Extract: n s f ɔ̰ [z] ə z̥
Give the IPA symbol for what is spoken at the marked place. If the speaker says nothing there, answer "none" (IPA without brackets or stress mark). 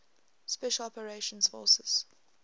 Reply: s